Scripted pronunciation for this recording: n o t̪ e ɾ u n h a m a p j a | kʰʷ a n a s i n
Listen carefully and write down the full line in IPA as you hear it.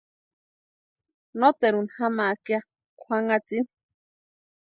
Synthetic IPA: n o t̪ e ɾ u n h a m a k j a | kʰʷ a ŋ a t͡s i n